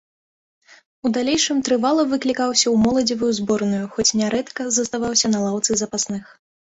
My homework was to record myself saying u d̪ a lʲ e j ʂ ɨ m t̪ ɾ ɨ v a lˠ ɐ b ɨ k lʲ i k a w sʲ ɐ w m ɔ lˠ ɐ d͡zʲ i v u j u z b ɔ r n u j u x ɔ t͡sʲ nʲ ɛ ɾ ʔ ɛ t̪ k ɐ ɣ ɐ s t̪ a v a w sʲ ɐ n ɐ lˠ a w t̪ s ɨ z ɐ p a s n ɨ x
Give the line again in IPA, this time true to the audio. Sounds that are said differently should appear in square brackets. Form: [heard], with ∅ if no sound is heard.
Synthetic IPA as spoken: u d̪ a lʲ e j ʂ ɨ m t̪ ɾ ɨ v a lˠ ɐ [v] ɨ k lʲ i k a w sʲ ɐ w m ɔ lˠ ɐ d͡zʲ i v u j u z b ɔ r n u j u x ɔ t͡sʲ nʲ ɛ ɾ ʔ ɛ t̪ k ɐ [z] ɐ s t̪ a v a w sʲ ɐ n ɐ lˠ a w t̪ s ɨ z ɐ p a s n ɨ x